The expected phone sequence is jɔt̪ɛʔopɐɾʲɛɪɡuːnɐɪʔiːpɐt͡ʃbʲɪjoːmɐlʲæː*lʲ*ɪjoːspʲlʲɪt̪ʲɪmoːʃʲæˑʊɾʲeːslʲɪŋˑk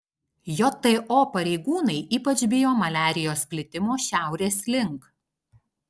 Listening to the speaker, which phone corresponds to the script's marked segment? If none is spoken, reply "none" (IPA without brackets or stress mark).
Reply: ɾʲ